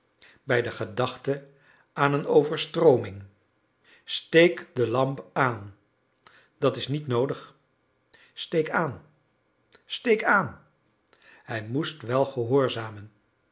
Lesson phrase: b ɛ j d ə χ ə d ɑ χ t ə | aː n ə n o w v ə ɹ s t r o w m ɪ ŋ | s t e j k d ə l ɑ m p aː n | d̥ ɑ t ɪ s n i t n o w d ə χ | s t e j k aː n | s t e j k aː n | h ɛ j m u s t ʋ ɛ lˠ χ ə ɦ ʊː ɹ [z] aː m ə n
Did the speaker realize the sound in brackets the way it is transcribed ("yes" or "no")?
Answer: yes